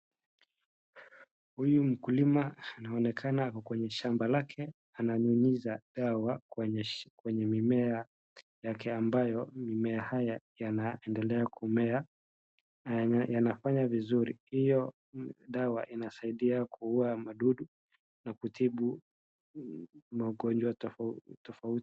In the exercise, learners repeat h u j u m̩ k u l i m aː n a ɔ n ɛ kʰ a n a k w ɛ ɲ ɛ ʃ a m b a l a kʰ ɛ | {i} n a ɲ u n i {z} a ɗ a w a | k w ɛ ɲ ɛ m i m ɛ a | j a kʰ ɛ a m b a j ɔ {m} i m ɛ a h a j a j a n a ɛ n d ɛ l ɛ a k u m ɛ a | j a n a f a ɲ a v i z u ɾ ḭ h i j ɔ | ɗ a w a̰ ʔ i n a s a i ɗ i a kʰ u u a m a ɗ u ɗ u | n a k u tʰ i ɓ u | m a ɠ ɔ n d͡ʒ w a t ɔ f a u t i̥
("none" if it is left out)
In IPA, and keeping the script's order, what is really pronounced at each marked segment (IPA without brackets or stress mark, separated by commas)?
a, z, m